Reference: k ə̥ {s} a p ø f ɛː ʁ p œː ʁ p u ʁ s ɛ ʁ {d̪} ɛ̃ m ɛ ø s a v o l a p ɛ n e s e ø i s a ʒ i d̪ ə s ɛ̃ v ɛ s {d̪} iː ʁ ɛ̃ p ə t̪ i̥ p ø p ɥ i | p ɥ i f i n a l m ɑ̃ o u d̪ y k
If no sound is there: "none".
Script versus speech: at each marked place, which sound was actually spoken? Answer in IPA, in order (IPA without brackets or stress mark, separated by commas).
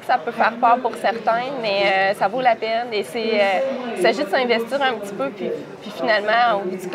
s, t̪, t̪